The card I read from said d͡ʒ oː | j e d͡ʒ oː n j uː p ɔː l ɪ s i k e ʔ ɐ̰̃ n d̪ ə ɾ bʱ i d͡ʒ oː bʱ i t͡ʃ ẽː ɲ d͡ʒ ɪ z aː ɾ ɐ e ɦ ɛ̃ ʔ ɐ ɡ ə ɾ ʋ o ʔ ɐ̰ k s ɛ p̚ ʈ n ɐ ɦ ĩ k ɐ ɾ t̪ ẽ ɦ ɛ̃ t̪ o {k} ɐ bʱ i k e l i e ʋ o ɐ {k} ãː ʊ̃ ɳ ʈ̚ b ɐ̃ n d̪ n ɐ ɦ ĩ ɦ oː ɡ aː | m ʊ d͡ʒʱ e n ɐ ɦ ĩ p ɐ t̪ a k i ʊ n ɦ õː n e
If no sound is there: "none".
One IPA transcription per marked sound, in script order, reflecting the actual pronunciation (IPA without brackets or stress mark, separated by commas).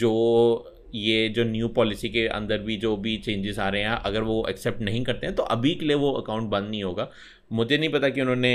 ʔ, k